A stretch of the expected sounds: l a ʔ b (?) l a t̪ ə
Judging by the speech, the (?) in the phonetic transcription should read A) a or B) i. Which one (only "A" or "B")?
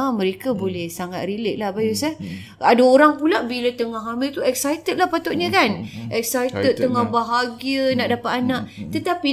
B